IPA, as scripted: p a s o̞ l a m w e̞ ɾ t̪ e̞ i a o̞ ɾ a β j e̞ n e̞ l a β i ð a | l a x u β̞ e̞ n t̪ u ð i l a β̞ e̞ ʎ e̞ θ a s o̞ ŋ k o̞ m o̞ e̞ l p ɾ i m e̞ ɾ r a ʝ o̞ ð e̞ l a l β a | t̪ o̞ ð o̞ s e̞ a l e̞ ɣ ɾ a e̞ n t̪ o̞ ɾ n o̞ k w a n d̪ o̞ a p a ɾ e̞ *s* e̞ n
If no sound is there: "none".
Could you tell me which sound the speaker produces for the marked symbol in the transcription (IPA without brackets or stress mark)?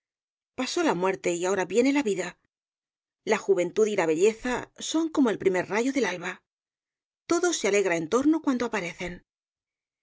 θ